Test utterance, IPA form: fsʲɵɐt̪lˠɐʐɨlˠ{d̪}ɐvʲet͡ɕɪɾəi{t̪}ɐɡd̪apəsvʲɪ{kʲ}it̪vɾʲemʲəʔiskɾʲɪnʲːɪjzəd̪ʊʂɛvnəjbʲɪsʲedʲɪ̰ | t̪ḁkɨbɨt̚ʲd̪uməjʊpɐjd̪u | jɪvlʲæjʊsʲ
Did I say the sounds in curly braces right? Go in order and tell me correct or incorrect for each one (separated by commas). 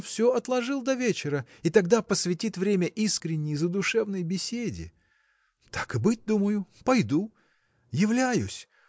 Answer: correct, correct, incorrect